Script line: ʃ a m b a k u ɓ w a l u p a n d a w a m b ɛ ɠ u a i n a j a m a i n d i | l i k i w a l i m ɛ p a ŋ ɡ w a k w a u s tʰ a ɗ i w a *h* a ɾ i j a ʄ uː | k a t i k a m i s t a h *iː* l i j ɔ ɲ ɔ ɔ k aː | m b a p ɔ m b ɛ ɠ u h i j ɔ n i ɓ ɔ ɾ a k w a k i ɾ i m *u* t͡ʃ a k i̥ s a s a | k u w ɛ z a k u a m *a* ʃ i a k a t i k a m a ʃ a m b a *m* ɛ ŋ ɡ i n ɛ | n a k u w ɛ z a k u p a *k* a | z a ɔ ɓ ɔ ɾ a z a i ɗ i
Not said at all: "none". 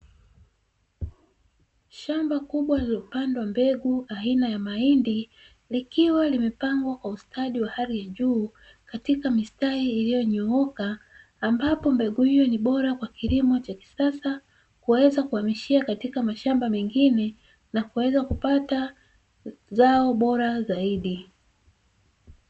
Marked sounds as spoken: h, iː, ɔ, i, m, t

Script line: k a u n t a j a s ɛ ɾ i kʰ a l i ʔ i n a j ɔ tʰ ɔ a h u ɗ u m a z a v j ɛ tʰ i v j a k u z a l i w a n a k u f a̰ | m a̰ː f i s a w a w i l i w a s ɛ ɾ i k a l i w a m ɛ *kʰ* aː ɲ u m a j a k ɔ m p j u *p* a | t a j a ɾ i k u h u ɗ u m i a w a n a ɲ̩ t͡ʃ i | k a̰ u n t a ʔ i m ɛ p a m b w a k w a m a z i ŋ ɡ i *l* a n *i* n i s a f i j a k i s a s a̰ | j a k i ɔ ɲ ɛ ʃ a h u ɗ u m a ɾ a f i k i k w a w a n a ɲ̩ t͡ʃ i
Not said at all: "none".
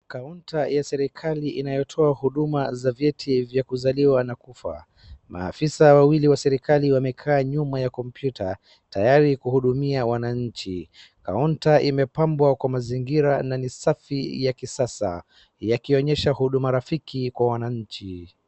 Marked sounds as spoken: kʰ, t, ɾ, a

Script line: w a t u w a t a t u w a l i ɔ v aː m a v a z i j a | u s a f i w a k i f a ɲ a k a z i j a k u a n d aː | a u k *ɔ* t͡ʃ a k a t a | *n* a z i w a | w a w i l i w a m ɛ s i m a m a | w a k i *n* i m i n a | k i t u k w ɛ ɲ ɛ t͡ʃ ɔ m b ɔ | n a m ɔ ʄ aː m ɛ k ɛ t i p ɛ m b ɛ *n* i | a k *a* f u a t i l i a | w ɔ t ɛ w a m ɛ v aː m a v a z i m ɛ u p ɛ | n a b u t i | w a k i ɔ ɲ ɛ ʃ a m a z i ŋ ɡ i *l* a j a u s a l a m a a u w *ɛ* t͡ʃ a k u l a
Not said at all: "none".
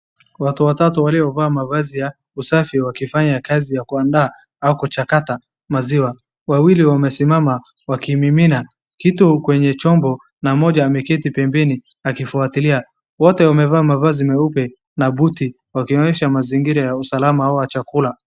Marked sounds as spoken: u, m, m, n, i, ɾ, a

